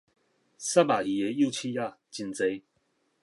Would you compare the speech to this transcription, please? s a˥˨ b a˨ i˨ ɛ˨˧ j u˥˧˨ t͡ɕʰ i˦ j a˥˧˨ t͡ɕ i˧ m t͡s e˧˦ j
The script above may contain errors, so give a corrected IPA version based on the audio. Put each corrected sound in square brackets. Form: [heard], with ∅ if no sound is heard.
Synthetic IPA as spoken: s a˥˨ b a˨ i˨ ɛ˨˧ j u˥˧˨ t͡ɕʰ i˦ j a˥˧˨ t͡ɕ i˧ [n] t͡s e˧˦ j